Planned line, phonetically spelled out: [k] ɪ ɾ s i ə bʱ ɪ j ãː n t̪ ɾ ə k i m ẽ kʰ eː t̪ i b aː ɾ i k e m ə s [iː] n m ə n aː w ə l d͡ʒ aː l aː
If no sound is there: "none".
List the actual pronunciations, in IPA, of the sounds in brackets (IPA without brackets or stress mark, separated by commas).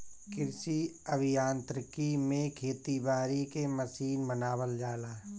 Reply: k, iː